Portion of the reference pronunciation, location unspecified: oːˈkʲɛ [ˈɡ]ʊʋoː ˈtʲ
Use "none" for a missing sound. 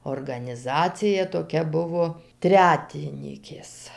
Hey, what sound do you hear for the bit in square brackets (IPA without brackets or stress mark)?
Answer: b